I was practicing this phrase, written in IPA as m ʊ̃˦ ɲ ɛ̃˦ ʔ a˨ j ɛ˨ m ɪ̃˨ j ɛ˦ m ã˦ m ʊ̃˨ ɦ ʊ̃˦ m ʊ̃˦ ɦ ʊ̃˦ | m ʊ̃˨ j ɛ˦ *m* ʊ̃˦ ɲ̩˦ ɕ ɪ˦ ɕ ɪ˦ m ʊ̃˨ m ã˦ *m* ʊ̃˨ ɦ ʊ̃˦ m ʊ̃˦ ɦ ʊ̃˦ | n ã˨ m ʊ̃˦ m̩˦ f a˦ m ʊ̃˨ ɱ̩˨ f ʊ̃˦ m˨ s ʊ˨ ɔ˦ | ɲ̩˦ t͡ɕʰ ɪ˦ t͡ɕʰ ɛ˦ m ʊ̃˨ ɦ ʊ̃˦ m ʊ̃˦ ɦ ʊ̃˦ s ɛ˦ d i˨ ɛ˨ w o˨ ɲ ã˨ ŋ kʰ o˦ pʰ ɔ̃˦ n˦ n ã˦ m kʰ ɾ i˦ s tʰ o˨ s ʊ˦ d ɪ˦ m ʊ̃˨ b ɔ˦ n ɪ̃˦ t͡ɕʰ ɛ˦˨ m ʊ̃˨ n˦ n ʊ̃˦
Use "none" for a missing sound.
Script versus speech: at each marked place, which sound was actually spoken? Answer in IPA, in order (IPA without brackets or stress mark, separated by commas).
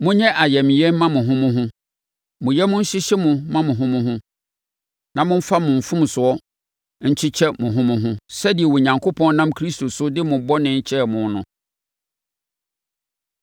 m, m